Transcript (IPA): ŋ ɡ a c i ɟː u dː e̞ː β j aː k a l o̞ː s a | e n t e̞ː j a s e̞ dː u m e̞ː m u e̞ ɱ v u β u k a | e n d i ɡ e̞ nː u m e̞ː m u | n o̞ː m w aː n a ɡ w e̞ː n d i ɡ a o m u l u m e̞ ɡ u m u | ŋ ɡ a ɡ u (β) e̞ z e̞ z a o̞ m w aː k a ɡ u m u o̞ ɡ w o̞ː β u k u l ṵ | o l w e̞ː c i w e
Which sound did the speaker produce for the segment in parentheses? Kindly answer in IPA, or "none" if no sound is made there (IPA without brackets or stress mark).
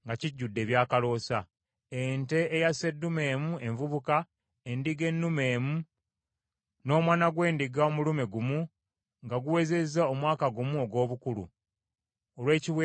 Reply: w